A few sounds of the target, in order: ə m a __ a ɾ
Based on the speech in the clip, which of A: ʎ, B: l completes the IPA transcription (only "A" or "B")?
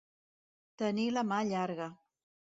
A